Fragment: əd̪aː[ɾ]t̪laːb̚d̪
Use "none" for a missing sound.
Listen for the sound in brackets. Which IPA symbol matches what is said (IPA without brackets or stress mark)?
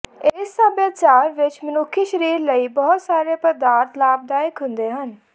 ɾ